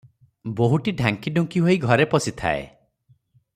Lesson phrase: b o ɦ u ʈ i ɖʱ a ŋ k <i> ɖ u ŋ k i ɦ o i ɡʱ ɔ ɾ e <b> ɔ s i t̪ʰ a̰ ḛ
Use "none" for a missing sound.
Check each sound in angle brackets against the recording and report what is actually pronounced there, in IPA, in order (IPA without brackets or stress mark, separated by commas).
i, p